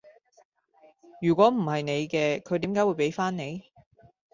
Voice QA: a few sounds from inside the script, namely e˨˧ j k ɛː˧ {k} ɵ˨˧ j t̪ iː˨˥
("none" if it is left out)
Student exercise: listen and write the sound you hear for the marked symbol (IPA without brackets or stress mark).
kʰ